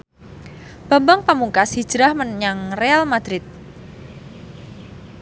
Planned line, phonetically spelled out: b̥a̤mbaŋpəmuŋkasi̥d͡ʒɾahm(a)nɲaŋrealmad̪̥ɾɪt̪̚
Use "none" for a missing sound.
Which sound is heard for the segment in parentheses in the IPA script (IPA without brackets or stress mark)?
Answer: ə